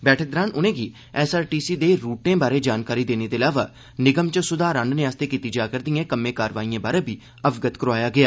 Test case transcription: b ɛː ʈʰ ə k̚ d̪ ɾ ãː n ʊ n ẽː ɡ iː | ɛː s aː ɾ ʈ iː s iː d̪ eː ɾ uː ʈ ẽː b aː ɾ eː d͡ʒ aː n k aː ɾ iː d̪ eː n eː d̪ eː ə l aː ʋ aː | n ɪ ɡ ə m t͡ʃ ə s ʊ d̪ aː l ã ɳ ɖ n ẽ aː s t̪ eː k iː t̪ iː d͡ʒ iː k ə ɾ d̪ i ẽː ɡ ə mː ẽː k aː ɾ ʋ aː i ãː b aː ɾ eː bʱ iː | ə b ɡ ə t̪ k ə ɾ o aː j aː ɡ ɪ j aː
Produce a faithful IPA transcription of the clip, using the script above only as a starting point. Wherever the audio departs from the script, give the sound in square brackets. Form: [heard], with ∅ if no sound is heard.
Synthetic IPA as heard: b ɛː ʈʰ ə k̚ d̪ ɾ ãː n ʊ n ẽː ɡ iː | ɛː s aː ɾ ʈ iː s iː d̪ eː ɾ uː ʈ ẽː b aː ɾ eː d͡ʒ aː n k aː ɾ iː d̪ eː n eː d̪ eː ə l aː ʋ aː | n ɪ ɡ ə m t͡ʃ ə s ʊ d̪ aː [ɾ] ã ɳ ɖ n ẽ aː s t̪ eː k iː t̪ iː d͡ʒ [aː] k ə ɾ d̪ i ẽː [k] ə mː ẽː k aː ɾ ʋ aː i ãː b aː ɾ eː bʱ iː | ə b ɡ ə t̪ k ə ɾ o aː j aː ɡ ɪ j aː

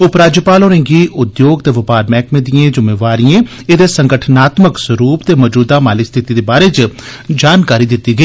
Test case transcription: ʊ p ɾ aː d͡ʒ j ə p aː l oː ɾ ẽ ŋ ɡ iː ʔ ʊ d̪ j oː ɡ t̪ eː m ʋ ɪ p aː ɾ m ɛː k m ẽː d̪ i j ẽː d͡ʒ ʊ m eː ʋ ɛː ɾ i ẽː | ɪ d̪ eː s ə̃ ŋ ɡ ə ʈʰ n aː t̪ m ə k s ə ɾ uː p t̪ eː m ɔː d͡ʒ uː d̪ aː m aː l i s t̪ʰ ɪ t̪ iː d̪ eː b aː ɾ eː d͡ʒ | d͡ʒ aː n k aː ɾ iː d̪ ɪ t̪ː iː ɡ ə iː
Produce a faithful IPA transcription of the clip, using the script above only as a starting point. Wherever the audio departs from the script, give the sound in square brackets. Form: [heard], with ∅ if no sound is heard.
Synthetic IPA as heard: ʊ p ɾ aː d͡ʒ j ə p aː l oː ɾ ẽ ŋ ɡ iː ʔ ʊ d̪ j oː ɡ t̪ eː [∅] ʋ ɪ p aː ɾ m ɛː k m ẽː d̪ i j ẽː d͡ʒ ʊ m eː ʋ [aː] ɾ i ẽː | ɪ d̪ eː s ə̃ ŋ ɡ ə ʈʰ n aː t̪ m ə k s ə ɾ uː p t̪ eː m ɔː d͡ʒ uː d̪ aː m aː l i s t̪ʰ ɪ t̪ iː d̪ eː b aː ɾ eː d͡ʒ | d͡ʒ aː n k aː ɾ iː d̪ ɪ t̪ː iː ɡ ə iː

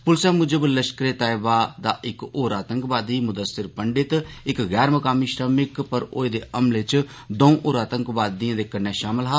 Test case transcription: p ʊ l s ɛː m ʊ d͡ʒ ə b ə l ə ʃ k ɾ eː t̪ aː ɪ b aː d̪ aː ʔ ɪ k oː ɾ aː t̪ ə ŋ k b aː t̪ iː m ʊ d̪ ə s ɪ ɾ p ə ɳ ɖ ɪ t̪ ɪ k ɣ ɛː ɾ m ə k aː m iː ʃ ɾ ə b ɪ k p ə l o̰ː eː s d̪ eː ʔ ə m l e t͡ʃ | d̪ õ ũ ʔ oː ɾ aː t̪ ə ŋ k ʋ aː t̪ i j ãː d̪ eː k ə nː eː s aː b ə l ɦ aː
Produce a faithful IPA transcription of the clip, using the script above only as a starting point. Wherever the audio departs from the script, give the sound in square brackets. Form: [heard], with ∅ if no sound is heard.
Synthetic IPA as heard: p ʊ l s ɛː m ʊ d͡ʒ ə b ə l ə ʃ k ɾ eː t̪ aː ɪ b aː d̪ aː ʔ ɪ k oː ɾ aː t̪ ə ŋ k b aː [d̪] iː m ʊ d̪ ə s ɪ ɾ p ə ɳ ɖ ɪ t̪ ɪ k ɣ ɛː ɾ m ə k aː m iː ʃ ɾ ə [m] ɪ k p ə [ɾ] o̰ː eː [∅] d̪ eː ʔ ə m l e t͡ʃ | d̪ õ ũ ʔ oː ɾ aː t̪ ə ŋ k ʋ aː [d̪] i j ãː d̪ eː k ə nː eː [ʃ] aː [m] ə l ɦ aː

